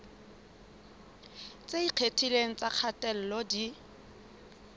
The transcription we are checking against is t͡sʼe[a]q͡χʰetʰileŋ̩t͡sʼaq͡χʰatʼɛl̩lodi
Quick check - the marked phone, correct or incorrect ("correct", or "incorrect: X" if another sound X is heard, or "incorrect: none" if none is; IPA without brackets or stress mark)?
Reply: incorrect: i